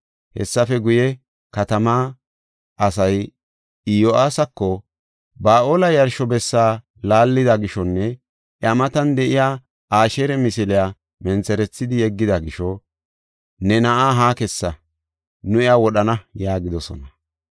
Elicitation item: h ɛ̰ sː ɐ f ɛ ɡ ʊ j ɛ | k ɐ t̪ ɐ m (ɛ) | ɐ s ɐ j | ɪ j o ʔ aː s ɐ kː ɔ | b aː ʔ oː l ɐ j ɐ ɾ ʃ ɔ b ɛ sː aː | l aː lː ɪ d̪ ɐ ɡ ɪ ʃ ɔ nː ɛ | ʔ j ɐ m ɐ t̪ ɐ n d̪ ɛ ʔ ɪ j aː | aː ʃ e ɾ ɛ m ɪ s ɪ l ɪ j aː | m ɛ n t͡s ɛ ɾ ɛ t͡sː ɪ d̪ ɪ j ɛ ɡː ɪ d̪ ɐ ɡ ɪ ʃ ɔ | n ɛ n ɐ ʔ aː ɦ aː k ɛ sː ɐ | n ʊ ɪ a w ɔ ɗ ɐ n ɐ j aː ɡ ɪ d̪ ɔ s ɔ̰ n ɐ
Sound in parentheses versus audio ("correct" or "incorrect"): incorrect